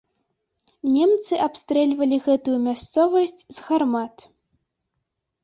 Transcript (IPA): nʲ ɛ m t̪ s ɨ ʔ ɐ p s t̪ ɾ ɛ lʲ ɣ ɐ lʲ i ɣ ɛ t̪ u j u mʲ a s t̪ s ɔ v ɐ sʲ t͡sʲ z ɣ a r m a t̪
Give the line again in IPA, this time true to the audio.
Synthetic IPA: nʲ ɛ m t̪ s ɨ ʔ a p s t̪ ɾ ɛ lʲ v ɐ lʲ i ɣ ɛ t̪ u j u mʲ a s t̪ s ɔ v ɐ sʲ t͡sʲ z ɣ a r m a t̪